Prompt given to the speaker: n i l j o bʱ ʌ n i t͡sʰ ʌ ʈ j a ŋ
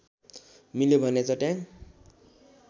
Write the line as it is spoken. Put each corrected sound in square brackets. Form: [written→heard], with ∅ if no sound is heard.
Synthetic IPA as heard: [n→m] i l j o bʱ ʌ n [i→e] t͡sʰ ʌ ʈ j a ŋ